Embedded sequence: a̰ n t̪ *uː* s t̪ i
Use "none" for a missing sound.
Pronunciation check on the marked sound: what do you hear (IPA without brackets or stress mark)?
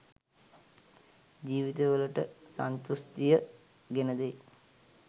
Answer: u